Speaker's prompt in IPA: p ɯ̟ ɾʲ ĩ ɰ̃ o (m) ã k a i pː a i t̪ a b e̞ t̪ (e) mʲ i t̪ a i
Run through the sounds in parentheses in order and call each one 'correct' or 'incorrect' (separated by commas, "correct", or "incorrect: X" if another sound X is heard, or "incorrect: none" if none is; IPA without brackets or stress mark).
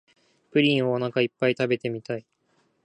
incorrect: n, correct